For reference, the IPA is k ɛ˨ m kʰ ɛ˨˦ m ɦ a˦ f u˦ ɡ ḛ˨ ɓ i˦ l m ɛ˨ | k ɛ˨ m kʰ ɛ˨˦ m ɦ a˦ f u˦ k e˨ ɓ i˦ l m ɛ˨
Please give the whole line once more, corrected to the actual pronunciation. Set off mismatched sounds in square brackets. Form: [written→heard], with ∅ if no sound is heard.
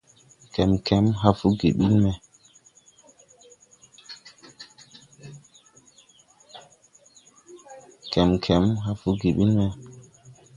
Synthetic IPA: k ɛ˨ m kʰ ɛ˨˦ m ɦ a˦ f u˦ ɡ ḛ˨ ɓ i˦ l m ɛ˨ | k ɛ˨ m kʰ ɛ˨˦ m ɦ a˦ f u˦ [k→ɡ] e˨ ɓ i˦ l m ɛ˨

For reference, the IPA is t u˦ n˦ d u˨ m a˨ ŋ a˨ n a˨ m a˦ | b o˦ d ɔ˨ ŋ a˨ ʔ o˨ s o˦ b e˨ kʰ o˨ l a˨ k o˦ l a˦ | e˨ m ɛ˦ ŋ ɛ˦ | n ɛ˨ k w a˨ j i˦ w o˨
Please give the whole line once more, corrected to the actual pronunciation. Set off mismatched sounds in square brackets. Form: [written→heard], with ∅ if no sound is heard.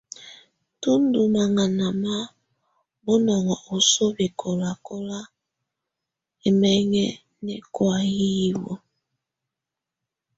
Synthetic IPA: t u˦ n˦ d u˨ m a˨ ŋ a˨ n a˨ m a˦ | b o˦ [d→n] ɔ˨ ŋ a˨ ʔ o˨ s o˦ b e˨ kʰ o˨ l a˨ k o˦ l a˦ | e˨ m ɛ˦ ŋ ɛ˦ | n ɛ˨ k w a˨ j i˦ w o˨

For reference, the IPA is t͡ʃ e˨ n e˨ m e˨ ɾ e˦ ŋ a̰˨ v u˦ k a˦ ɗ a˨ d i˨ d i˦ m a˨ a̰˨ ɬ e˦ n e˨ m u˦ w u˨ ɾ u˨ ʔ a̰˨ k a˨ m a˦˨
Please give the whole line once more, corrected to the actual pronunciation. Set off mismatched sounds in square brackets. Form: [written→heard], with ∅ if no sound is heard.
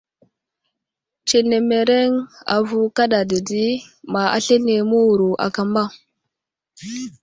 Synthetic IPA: t͡ʃ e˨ n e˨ m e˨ ɾ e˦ ŋ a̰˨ v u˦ k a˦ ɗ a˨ d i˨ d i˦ m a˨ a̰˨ ɬ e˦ n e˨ m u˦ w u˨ ɾ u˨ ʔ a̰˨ k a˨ m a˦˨

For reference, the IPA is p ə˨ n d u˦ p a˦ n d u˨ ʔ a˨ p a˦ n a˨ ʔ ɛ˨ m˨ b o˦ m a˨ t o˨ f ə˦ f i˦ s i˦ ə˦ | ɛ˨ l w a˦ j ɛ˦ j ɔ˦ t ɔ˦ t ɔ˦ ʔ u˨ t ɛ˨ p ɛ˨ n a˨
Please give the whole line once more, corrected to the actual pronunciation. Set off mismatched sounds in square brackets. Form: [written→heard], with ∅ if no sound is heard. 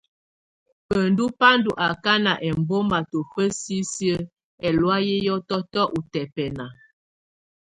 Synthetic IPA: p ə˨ n d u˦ p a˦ n d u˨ ʔ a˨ [p→k] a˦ n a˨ ʔ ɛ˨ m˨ b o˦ m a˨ t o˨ f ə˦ [f→s] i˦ s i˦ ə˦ | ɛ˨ l w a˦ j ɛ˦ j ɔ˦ t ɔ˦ t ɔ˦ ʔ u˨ t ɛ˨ p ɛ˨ n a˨

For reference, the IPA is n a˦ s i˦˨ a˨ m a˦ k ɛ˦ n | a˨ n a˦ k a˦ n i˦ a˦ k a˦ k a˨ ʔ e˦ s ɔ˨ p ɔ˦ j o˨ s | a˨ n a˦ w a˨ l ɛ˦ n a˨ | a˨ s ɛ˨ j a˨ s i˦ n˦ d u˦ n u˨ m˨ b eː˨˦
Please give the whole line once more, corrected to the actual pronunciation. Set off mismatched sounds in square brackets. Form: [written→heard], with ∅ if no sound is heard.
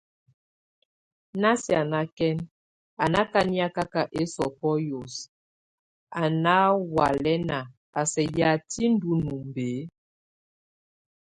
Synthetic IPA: n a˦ s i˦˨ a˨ [m→n] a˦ k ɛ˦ n | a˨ n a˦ k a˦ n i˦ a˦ k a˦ k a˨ ʔ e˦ s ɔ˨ p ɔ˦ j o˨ s | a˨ n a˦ w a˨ l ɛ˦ n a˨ | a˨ s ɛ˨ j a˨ [s→t] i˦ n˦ d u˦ n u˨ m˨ b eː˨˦

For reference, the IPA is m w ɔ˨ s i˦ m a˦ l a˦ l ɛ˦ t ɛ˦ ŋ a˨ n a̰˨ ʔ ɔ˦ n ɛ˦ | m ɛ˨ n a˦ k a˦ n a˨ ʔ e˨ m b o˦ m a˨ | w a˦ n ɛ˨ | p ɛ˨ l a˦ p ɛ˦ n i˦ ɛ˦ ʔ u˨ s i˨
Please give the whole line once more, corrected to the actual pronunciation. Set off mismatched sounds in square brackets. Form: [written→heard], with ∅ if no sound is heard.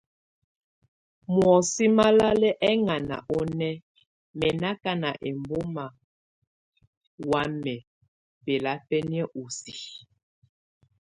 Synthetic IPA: m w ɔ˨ s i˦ m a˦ l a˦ l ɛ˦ [t→ʔ] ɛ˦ ŋ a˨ n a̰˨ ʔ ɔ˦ n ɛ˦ | m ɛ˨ n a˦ k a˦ n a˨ ʔ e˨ m b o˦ m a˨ | w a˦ [n→m] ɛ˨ | p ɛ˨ l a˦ p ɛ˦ n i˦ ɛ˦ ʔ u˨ s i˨

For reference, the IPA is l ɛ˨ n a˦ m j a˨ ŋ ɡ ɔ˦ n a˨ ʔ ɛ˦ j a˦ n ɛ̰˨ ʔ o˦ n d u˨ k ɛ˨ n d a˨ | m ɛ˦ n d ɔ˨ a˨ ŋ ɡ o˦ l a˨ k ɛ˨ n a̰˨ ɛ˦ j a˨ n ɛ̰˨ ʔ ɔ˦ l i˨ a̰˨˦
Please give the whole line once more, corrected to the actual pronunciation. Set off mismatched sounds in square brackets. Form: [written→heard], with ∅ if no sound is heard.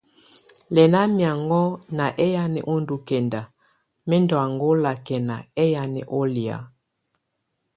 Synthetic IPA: l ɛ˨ n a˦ m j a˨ ŋ ɡ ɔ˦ n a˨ ʔ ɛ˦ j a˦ n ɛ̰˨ ʔ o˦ n d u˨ k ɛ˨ n d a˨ | m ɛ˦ n d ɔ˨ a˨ ŋ ɡ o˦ l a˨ k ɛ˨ n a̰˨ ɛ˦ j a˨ n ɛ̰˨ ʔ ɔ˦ l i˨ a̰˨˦

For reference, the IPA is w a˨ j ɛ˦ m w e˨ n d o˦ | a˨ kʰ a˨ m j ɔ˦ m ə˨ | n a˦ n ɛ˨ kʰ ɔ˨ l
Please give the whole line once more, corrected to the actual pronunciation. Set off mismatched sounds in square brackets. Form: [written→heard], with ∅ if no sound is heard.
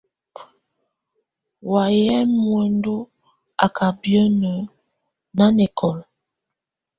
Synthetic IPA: w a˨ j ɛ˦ m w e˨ n d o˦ | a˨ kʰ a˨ [m→b] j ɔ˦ [m→n] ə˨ | n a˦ n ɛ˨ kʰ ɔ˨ l

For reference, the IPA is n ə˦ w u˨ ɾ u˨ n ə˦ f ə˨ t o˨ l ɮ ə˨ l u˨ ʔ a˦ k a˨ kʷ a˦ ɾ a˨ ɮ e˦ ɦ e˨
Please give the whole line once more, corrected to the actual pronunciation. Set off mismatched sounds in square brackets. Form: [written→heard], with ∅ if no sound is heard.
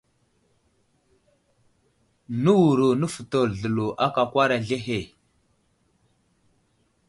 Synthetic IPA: n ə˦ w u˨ ɾ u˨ n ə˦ f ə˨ t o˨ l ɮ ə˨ l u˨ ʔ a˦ k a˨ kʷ a˦ ɾ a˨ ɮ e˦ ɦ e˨

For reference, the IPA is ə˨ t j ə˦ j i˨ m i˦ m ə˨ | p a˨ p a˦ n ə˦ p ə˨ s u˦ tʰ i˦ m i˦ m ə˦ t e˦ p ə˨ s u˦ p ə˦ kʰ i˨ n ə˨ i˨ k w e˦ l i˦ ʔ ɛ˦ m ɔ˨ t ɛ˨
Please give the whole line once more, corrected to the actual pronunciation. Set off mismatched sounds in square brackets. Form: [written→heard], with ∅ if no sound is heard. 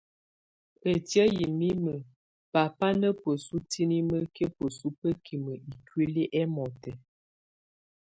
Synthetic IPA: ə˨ t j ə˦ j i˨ m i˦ m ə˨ | p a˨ p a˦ n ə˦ p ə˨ s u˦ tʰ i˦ [m→n] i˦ m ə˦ [t→k] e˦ p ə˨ s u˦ p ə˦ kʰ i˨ [n→m] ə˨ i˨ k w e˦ l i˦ ʔ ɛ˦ m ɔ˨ t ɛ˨

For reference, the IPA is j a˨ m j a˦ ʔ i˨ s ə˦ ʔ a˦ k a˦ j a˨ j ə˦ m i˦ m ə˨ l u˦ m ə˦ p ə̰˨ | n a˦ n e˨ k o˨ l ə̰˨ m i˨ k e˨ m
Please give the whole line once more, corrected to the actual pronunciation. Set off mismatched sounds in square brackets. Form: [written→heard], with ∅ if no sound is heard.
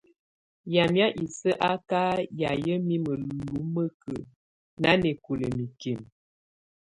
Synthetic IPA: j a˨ m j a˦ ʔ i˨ s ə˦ ʔ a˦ k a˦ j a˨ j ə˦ m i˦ m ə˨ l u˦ m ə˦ [p→k] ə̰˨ | n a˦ n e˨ k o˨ l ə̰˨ m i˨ k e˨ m

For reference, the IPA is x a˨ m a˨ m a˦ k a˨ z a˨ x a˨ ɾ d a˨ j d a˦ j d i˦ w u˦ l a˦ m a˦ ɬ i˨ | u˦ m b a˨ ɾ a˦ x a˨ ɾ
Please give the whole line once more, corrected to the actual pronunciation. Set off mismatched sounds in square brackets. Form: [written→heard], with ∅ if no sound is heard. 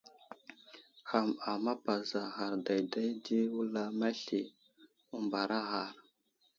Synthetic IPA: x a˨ m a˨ m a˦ [k→p] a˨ z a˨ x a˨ ɾ d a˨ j d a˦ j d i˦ w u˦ l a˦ m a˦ ɬ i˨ | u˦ m b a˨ ɾ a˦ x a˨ ɾ

